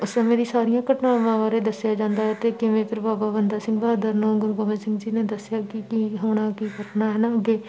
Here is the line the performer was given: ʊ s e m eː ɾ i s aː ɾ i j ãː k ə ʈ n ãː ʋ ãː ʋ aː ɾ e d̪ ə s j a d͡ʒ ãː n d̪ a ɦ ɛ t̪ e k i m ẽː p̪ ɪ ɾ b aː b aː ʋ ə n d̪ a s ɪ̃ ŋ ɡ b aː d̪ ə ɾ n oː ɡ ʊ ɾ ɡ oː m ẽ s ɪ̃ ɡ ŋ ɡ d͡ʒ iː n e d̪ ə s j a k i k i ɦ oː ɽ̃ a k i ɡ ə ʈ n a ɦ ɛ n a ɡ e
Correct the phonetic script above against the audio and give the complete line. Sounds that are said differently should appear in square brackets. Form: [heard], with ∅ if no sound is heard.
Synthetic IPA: ʊ s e m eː ɾ i s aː ɾ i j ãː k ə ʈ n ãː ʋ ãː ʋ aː ɾ e d̪ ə s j a d͡ʒ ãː n d̪ a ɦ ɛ t̪ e k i m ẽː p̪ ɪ ɾ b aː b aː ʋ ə n d̪ a s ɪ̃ ŋ ɡ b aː d̪ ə ɾ n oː ɡ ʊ ɾ ɡ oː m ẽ s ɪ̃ [∅] ŋ ɡ d͡ʒ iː n e d̪ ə s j a k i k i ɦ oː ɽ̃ a k i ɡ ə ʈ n a ɦ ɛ n a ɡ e